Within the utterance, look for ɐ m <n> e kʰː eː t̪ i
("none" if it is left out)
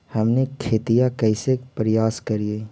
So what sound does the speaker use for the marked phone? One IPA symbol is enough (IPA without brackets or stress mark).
n